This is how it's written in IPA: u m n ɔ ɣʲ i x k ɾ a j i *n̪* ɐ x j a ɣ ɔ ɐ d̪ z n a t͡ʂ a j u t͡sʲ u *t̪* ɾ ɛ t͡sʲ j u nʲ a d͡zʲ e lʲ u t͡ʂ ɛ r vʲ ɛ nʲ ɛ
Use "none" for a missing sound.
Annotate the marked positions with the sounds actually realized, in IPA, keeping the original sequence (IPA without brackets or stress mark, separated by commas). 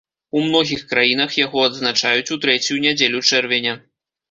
n̪, t̪